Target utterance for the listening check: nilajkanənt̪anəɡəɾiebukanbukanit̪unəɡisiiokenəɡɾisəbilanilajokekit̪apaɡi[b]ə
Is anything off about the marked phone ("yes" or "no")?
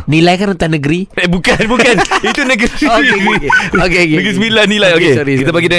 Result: yes